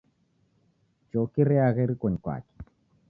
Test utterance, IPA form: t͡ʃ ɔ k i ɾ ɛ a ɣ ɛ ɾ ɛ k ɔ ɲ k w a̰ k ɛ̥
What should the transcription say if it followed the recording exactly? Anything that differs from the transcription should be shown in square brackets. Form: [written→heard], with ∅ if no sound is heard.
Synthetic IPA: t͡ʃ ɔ k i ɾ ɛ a ɣ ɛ ɾ [ɛ→i] k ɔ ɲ k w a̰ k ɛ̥